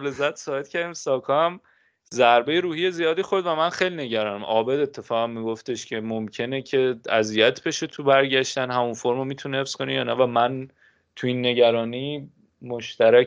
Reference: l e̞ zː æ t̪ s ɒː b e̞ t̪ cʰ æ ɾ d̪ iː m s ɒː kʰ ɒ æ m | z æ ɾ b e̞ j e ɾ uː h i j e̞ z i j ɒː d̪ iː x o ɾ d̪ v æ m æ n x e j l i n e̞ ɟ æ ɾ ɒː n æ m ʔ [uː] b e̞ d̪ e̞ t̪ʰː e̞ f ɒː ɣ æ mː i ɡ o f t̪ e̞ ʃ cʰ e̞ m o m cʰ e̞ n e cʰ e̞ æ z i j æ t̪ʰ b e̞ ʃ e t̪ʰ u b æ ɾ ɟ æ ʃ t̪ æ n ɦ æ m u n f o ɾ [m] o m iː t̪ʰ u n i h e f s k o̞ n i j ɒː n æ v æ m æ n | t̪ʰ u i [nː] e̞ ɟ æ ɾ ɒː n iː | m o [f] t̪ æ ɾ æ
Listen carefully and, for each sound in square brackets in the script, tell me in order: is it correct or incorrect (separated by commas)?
incorrect, correct, correct, incorrect